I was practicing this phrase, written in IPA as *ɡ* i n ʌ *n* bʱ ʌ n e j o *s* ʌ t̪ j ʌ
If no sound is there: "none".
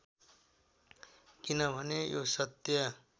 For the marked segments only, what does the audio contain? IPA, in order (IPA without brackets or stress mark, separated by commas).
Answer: k, none, s